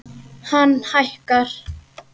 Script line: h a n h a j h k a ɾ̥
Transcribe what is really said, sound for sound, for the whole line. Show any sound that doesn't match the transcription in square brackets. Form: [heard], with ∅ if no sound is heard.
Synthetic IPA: h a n h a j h k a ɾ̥

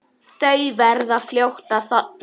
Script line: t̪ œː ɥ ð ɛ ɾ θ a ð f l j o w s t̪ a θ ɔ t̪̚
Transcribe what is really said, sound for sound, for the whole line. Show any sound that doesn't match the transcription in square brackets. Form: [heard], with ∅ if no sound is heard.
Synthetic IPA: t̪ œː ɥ [v] ɛ ɾ [ð] a ð f l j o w [h] t̪ a θ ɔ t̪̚

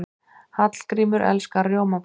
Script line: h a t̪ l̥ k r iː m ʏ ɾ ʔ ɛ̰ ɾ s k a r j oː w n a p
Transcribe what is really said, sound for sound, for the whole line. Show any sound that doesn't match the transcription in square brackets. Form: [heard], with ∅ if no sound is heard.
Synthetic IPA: h a t̪ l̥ k [ɾ] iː m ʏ ɾ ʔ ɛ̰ [l] s k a r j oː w [m] a p

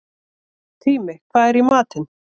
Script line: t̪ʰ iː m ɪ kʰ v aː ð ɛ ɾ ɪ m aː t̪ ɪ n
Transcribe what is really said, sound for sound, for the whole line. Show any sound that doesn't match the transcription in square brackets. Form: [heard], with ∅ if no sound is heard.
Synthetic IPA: t̪ʰ iː m ɪ kʰ v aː ð ɛ ɾ [i] m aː t̪ ɪ n

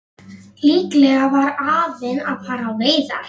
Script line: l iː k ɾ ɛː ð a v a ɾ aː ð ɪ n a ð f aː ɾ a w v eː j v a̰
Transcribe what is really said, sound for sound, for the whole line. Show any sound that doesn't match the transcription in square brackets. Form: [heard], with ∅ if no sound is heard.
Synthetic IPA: l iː k [l] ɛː [ɣ] a v a ɾ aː [v] ɪ n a ð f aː ɾ a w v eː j [ð] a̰

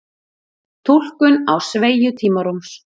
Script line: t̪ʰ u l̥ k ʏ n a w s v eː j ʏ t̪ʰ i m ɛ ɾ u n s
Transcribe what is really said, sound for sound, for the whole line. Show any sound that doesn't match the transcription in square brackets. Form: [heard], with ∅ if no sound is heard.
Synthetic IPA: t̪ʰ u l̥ k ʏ n a w s v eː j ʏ t̪ʰ [iː] m [a] ɾ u [m] s

